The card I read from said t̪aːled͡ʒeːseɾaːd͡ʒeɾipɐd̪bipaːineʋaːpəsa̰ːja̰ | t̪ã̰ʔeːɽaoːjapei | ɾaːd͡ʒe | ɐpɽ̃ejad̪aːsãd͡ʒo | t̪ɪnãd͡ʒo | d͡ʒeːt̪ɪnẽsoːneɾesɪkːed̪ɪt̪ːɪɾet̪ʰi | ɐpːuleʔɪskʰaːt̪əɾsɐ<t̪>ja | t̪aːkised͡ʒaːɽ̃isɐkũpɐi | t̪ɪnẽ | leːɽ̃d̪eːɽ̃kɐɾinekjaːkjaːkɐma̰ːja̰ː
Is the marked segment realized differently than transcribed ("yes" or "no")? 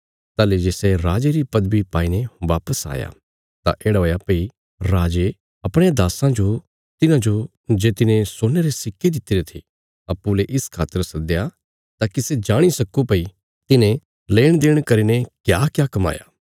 yes